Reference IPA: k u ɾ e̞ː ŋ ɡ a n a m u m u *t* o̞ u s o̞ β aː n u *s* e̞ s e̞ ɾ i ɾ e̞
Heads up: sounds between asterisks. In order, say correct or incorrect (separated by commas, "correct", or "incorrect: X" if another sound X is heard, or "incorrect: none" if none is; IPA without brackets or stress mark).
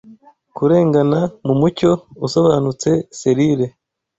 incorrect: c, incorrect: t͡s